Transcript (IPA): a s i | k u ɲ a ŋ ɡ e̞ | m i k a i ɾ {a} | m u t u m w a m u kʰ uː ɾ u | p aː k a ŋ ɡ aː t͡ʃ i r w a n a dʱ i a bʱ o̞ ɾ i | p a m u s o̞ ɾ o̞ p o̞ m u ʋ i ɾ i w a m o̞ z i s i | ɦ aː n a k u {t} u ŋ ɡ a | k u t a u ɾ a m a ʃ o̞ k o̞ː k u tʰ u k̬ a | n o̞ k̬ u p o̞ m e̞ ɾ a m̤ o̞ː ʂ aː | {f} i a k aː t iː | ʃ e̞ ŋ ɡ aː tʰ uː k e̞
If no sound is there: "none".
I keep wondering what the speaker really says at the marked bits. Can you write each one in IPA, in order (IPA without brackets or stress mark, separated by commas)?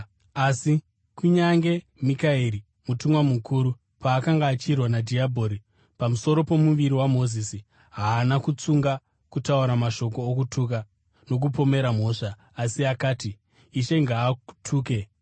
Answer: i, t͡s, s